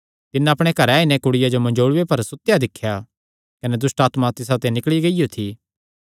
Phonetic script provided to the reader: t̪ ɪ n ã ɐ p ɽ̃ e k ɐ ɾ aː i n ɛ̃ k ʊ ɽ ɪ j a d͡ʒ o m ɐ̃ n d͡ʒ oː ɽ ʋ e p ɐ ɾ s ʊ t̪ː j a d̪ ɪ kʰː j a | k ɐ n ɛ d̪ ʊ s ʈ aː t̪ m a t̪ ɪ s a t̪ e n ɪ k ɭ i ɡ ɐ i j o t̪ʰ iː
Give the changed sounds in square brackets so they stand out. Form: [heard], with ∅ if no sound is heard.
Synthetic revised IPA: t̪ ɪ n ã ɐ p ɽ̃ e k ɐ ɾ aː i n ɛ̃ k ʊ ɽ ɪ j a d͡ʒ o m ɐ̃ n d͡ʒ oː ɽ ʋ e p ɐ ɾ s ʊ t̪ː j a d̪ ɪ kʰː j a | k ɐ n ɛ d̪ ʊ s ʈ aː t̪ m a t̪ ɪ s a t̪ e n ɪ k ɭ i ɡ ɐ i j o t̪ʰ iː